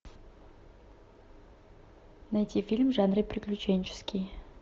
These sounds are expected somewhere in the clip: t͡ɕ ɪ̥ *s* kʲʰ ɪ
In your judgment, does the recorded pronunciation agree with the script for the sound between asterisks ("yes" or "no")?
yes